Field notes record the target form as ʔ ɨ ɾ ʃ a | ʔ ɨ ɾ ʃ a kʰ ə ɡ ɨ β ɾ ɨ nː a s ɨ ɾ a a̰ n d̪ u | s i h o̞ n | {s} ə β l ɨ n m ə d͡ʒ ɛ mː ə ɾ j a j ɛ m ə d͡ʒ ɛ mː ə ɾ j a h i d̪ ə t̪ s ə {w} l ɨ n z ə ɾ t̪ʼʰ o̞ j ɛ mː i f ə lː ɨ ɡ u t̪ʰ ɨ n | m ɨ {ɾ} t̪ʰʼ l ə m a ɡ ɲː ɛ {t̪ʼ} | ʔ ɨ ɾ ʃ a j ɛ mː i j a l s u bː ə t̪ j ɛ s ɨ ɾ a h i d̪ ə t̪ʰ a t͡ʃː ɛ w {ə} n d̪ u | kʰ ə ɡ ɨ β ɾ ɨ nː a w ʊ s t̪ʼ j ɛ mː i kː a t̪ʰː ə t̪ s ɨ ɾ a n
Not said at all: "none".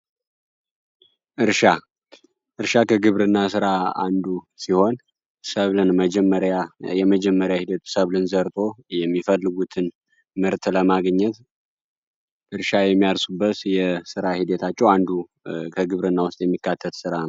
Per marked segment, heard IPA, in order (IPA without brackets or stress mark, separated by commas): s, β, ɾ, t̪, a